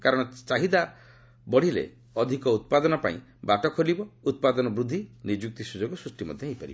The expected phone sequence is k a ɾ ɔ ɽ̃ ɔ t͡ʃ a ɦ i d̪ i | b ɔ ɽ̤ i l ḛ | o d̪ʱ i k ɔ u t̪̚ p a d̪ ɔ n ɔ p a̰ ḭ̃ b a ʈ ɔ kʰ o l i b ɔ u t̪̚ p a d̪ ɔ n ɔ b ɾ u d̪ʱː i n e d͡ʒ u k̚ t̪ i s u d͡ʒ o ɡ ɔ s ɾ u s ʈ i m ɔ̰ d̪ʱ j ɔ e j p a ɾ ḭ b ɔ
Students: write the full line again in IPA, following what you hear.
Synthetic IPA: k a ɾ ɔ ɽ̃ ɔ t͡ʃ a ɦ i d̪ a | b ɔ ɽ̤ i l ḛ | ɔ d̪ʱ i k ɔ u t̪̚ p a d̪ ɔ n ɔ p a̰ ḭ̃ b a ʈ ɔ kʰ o l i b ɔ u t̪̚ p a d̪ ɔ n ɔ b ɾ u d̪ʱː i n i d͡ʒ u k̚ t̪ i s u d͡ʒ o ɡ ɔ s ɾ u s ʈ i m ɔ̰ d̪ʱ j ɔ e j p a ɾ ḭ b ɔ